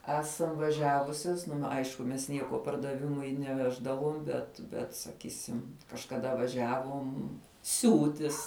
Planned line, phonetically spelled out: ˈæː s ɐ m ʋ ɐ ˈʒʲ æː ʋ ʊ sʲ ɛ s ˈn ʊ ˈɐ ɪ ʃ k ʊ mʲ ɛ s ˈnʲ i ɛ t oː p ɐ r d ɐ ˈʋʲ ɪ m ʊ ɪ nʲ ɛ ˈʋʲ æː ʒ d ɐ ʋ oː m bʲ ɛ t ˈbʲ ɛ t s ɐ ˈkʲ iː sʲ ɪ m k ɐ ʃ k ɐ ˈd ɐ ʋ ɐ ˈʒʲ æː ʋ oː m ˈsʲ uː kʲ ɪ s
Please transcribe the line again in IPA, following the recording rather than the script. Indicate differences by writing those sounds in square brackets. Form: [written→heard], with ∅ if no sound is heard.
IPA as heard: ˈæː s ɐ m ʋ ɐ ˈʒʲ æː ʋ ʊ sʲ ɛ s ˈn ʊ ˈɐ ɪ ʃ k ʊ mʲ ɛ s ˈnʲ i ɛ [t→k] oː p ɐ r d ɐ ˈʋʲ ɪ m ʊ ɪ nʲ ɛ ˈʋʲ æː ʒ d ɐ ʋ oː m bʲ ɛ t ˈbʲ ɛ t s ɐ ˈkʲ iː sʲ ɪ m k ɐ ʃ k ɐ ˈd ɐ ʋ ɐ ˈʒʲ æː ʋ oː m ˈsʲ uː [kʲ→tʲ] ɪ s

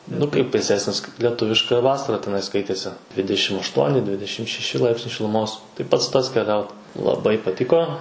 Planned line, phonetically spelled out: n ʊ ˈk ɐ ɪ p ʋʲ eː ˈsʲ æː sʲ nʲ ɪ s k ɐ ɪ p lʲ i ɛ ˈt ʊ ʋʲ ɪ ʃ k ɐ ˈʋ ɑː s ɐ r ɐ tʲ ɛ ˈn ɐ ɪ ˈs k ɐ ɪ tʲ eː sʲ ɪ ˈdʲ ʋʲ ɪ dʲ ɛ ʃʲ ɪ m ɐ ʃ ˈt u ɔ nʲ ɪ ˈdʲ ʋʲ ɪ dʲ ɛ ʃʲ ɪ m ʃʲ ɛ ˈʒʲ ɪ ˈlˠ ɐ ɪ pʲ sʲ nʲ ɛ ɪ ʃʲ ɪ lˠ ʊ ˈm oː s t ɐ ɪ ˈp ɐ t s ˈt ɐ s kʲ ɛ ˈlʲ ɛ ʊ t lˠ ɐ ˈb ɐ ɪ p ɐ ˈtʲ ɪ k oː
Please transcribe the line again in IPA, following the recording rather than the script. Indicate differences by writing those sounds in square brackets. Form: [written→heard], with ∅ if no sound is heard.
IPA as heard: n ʊ ˈk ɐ ɪ p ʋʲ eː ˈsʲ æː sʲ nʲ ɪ s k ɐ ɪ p lʲ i ɛ ˈt ʊ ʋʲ ɪ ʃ k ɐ ˈʋ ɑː s ɐ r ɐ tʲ ɛ ˈn ɐ ɪ ˈs k ɐ ɪ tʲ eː sʲ ɪ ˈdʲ ʋʲ ɪ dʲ ɛ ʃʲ ɪ m ɐ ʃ ˈt u ɔ nʲ ɪ ˈdʲ ʋʲ ɪ dʲ ɛ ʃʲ ɪ m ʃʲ ɛ [ˈʒʲ→ˈʃʲ] ɪ ˈlˠ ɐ ɪ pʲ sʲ nʲ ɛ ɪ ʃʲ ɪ lˠ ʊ ˈm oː s t ɐ ɪ ˈp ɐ t s ˈt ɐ s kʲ ɛ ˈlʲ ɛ ʊ t lˠ ɐ ˈb ɐ ɪ p ɐ ˈtʲ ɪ k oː

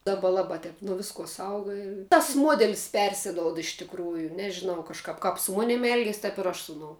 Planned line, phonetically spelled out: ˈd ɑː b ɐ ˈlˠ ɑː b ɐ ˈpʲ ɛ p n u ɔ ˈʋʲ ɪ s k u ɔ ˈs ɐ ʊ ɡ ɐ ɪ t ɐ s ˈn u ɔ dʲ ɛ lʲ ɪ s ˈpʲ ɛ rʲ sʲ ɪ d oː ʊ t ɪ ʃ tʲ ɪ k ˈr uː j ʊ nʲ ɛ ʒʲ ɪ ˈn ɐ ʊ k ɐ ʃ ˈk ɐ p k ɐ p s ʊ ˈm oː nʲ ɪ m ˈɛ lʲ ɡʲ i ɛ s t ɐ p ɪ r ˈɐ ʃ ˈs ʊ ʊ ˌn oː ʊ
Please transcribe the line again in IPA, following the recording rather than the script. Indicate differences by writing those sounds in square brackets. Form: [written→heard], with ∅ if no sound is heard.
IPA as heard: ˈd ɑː b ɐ ˈlˠ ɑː b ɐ [ˈpʲ→ˈtʲ] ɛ p n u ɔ ˈʋʲ ɪ s k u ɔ ˈs ɐ ʊ ɡ ɐ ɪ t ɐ s [ˈn→ˈm] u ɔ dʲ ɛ lʲ ɪ s ˈpʲ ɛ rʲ sʲ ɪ d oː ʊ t ɪ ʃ tʲ ɪ k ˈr uː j ʊ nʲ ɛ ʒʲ ɪ ˈn ɐ ʊ k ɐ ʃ ˈk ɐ p k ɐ p s ʊ ˈm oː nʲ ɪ m ˈɛ lʲ ɡʲ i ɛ s t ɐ p ɪ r ˈɐ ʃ ˈs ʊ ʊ ˌn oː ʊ

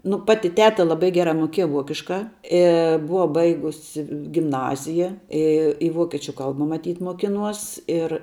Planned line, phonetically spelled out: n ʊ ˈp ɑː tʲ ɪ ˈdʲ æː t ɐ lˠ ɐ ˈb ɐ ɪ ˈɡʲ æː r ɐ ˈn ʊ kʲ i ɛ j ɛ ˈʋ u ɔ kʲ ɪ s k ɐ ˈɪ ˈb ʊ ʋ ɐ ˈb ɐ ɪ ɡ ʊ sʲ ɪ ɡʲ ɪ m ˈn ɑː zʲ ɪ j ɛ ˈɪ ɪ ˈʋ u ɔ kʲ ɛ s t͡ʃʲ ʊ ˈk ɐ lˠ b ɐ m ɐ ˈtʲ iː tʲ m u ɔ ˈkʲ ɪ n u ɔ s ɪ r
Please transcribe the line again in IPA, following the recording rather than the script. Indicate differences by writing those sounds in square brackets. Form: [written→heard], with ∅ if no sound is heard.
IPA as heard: n ʊ ˈp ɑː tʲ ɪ [ˈdʲ→ˈtʲ] æː t ɐ lˠ ɐ ˈb ɐ ɪ ˈɡʲ æː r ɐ [ˈn→ˈm] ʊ kʲ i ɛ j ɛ ˈʋ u ɔ kʲ ɪ [s→ʃ] k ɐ ˈɪ ˈb ʊ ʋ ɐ ˈb ɐ ɪ ɡ ʊ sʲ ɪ ɡʲ ɪ m ˈn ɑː zʲ ɪ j ɛ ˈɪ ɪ ˈʋ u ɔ kʲ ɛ [s→∅] t͡ʃʲ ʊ ˈk ɐ lˠ b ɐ m ɐ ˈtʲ iː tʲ m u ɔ ˈkʲ ɪ n u ɔ s ɪ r

